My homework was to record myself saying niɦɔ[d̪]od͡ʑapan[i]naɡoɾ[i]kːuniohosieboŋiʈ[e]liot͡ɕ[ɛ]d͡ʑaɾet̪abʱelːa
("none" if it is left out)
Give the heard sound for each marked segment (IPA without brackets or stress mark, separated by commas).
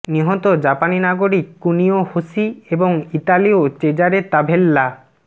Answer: t̪, i, i, a, e